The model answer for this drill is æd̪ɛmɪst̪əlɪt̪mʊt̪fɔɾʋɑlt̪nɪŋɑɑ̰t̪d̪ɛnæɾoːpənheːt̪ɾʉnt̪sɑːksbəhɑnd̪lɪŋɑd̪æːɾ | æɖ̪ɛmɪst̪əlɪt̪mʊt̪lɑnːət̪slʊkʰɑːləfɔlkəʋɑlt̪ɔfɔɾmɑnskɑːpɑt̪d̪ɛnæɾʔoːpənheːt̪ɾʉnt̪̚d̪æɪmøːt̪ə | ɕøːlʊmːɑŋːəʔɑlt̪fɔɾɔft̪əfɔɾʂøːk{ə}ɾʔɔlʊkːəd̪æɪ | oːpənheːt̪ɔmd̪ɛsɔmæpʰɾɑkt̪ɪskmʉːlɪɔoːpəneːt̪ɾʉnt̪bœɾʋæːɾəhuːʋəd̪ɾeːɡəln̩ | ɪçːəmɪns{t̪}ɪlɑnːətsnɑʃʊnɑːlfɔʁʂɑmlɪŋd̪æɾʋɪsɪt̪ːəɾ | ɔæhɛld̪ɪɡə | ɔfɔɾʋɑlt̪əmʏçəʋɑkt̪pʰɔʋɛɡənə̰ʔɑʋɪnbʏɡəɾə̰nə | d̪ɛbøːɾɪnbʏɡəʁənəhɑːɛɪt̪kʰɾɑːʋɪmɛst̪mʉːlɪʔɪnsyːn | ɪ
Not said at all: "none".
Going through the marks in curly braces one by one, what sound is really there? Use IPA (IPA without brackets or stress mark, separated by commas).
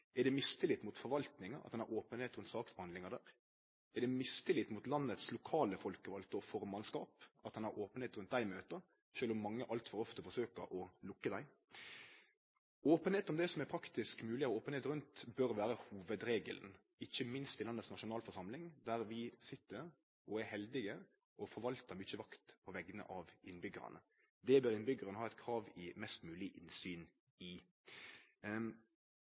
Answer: ə, t̪